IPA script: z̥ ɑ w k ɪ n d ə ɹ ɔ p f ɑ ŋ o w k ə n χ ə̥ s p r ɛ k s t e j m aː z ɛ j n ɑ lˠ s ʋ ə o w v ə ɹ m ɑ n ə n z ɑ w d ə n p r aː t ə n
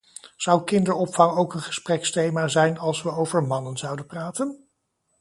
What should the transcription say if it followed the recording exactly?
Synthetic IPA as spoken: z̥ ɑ w k ɪ n d ə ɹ ɔ p f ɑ ŋ o w k ə n χ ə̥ s p r ɛ k s t e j m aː z ɛ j n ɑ lˠ s ʋ ə o w v ə ɹ m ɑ n ə n z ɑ w d ə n p r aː t ə n